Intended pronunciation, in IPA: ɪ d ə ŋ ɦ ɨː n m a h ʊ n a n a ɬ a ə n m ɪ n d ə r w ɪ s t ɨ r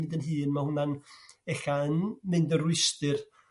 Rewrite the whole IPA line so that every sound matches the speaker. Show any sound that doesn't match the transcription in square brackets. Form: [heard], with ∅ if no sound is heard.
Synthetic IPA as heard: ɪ d ə [n] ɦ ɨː n m a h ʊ n a n [ɛ] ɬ a ə n m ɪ n d ə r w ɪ s t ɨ r